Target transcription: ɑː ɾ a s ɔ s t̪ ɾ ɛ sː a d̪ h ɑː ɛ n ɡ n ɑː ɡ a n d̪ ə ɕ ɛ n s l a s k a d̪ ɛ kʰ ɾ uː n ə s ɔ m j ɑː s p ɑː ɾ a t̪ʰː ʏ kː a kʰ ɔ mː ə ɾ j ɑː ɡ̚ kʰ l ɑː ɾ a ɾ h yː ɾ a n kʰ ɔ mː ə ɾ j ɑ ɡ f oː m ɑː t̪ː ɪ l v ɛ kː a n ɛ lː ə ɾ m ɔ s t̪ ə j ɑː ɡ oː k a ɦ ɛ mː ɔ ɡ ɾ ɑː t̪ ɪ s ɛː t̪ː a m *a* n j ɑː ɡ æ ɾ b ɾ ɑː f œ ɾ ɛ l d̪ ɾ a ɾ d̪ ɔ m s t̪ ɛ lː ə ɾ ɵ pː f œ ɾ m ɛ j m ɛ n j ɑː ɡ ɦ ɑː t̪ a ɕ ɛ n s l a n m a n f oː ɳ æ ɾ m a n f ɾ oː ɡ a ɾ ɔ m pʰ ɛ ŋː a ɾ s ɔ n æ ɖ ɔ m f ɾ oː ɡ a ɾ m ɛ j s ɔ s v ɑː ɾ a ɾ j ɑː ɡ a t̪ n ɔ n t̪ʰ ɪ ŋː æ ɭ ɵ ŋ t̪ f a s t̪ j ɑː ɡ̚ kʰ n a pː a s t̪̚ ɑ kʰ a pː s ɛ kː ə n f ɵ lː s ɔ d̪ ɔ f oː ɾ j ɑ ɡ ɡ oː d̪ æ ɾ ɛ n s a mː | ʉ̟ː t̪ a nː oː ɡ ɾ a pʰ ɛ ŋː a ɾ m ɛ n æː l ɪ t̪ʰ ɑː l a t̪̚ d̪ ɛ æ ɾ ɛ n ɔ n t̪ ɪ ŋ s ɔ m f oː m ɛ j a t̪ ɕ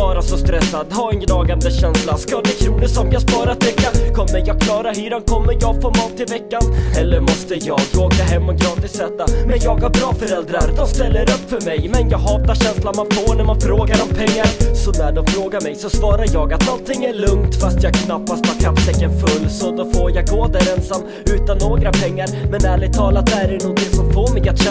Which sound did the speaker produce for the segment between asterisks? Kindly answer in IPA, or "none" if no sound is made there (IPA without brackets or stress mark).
ɛ